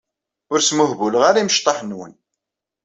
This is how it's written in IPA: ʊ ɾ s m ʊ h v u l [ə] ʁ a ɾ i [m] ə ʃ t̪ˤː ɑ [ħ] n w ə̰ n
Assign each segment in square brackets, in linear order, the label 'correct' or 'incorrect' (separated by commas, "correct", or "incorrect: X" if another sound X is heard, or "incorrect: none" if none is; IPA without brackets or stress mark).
correct, correct, correct